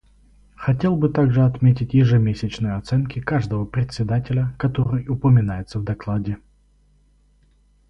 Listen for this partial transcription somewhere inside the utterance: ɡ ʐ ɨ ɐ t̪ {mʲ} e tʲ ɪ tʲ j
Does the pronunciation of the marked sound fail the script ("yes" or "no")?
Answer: no